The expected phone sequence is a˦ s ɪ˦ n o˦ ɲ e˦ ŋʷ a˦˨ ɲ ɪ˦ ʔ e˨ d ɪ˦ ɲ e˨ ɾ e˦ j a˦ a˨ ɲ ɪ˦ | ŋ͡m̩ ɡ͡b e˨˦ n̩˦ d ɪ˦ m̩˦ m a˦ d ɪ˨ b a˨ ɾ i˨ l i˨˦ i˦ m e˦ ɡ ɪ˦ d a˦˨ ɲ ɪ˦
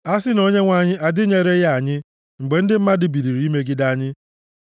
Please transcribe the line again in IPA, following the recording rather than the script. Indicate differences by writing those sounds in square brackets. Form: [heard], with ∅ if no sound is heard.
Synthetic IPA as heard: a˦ s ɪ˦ n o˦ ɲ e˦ ŋʷ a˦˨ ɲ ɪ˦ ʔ [a˨] d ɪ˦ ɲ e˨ ɾ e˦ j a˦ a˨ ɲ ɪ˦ | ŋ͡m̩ ɡ͡b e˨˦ n̩˦ d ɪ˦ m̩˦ m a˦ d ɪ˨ b [i˨] ɾ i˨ [ɾ] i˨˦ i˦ m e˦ ɡ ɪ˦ d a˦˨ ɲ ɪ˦